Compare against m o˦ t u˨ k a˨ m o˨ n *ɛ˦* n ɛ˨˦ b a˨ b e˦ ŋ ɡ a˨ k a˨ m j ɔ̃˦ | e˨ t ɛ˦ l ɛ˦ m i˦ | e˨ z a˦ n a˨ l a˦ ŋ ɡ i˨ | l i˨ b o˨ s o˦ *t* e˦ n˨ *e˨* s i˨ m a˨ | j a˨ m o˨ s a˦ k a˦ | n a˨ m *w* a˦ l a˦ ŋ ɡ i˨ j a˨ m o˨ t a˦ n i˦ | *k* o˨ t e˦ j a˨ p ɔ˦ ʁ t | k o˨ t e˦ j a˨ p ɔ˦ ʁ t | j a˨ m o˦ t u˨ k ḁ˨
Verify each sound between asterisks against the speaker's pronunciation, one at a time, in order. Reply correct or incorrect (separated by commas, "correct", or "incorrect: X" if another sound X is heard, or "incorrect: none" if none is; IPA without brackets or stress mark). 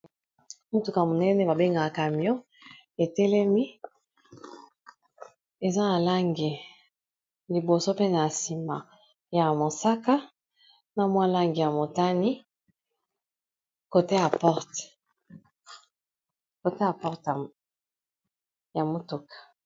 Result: correct, incorrect: p, incorrect: a˨, correct, correct